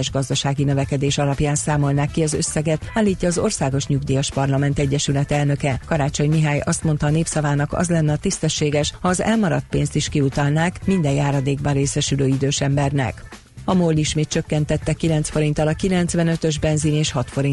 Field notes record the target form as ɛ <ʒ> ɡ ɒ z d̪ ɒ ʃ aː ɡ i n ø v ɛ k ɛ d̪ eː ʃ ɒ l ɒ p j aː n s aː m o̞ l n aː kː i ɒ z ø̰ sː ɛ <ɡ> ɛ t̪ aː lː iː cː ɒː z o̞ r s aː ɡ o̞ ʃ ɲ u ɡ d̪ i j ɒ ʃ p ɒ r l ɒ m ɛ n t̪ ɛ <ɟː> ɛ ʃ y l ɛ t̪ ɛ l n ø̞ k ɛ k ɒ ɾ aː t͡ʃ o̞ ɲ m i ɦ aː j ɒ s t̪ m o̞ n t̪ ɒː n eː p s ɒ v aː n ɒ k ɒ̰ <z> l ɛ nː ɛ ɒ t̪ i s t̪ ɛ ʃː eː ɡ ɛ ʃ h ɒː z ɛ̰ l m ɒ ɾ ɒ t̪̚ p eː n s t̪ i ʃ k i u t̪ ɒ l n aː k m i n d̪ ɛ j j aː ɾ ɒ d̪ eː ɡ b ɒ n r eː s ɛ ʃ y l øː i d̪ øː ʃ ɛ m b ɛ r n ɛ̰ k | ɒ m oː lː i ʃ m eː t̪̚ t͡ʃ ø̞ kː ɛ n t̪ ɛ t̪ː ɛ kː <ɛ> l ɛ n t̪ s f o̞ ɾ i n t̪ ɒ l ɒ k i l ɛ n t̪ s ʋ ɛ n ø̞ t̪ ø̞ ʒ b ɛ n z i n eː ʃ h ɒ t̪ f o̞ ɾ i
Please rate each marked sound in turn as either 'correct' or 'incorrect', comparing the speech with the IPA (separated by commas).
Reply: correct, correct, correct, correct, incorrect